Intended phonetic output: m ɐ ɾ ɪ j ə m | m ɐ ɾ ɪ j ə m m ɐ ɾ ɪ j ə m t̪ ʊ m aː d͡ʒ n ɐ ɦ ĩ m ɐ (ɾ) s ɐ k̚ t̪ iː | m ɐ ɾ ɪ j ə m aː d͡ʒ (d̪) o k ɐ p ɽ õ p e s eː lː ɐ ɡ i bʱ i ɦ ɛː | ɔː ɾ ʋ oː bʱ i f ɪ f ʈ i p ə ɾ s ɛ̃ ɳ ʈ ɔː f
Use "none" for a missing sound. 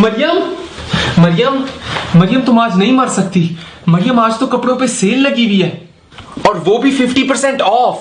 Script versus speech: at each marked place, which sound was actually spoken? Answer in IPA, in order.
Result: ɾ, t̪

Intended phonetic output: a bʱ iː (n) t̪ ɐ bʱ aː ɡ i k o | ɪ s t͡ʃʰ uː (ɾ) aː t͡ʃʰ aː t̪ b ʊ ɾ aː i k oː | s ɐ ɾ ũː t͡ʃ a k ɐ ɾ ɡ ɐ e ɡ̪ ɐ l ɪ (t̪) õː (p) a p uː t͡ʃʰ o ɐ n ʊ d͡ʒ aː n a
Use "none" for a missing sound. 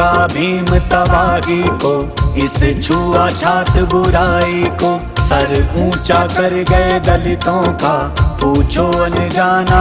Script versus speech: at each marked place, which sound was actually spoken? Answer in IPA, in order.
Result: m, none, t̪, k

